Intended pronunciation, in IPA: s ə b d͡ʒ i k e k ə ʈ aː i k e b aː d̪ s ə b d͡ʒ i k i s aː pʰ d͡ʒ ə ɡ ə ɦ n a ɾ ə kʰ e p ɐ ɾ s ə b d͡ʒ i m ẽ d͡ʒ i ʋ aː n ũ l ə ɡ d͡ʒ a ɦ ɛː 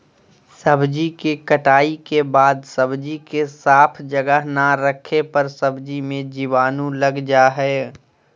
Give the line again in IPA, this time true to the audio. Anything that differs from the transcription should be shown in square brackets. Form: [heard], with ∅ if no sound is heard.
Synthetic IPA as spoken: s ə b d͡ʒ i k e k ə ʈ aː i k e b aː d̪ s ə b d͡ʒ i k [e] s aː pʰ d͡ʒ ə ɡ ə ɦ n a ɾ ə kʰ e p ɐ ɾ s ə b d͡ʒ i m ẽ d͡ʒ i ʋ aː n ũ l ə ɡ d͡ʒ a ɦ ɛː